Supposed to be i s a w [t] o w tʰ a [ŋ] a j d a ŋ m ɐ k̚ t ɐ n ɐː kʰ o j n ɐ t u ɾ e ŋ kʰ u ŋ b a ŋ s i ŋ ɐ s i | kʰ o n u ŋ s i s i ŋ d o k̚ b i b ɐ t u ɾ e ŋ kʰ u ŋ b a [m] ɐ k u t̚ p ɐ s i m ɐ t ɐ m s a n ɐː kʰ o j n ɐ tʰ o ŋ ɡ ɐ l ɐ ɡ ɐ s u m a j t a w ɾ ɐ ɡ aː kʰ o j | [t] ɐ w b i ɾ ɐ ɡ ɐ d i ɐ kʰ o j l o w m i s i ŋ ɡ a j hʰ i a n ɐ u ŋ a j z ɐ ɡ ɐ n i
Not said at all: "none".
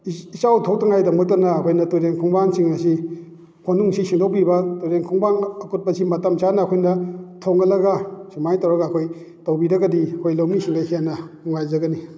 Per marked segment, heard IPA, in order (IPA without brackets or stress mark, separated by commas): tʰ, ŋ, ŋ, t